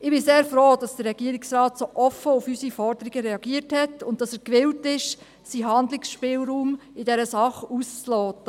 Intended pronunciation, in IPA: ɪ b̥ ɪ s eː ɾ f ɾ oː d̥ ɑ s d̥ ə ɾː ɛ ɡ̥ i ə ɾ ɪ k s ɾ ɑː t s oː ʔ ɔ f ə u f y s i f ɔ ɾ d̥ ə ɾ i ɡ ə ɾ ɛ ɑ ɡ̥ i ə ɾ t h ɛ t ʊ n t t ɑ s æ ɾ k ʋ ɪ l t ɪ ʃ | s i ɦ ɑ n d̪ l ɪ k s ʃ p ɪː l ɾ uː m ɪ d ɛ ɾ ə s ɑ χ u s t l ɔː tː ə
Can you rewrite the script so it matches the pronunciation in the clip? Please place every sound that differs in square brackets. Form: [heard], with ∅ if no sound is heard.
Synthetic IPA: ɪ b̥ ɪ s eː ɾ f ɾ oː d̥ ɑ s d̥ ə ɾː ɛ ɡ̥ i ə ɾ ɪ k s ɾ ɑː t s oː ʔ ɔ f ə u f y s i f ɔ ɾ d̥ ə ɾ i ɡ ə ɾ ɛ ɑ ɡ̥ i ə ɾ t h ɛ t ʊ n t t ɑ s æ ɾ k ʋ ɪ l t ɪ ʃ | s i ɦ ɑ n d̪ l ɪ k s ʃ p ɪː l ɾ uː m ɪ d ɛ ɾ ə s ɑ χ u s [t͡s] l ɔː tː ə